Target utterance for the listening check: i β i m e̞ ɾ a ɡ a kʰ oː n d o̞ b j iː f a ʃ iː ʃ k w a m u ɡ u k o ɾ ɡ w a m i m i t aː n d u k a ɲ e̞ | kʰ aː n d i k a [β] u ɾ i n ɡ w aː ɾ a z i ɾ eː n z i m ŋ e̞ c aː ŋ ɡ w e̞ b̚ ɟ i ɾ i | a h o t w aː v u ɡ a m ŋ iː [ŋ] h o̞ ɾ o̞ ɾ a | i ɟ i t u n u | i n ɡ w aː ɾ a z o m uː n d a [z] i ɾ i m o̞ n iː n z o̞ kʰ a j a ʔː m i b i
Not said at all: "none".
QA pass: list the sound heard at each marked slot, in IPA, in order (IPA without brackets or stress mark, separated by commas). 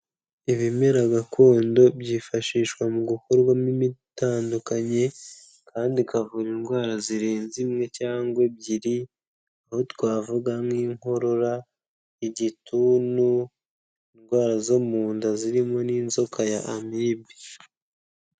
v, ŋ, z